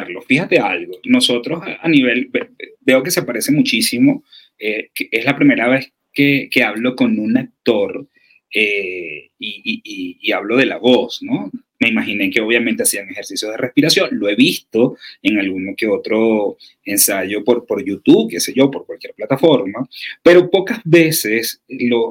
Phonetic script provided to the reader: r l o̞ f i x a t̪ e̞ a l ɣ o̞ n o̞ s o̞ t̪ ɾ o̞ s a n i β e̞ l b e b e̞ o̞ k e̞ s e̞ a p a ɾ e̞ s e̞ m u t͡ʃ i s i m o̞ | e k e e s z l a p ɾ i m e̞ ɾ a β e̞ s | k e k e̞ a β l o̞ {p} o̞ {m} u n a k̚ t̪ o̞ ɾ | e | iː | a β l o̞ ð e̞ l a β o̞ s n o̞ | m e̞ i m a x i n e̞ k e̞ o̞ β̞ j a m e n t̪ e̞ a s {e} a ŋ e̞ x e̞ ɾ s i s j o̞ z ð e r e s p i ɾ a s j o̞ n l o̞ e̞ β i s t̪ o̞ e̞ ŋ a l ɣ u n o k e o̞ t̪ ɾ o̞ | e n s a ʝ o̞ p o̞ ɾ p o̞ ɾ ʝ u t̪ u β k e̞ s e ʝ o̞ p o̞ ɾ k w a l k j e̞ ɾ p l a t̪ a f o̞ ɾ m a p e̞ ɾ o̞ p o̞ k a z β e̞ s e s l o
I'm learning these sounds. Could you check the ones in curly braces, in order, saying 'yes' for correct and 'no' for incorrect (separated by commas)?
no, no, no